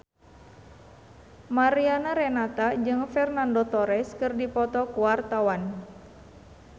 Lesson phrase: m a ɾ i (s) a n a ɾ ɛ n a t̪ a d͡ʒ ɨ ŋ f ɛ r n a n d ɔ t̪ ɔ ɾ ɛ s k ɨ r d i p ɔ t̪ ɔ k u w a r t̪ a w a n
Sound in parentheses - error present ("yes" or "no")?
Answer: yes